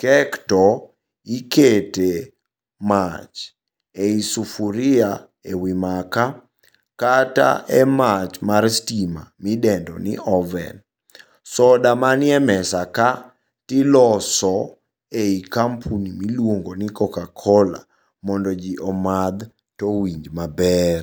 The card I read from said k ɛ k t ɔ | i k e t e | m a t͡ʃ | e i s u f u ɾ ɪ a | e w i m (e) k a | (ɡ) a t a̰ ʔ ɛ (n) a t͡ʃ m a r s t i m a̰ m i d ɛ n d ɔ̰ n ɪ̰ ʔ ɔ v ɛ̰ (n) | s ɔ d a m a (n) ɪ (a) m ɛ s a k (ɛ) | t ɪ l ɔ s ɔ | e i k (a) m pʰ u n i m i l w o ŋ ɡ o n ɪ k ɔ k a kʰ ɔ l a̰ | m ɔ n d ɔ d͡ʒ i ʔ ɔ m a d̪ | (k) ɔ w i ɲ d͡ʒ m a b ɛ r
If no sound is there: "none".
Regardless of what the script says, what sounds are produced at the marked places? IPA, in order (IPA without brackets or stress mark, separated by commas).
a, k, m, n, n, ɛ, a, a, t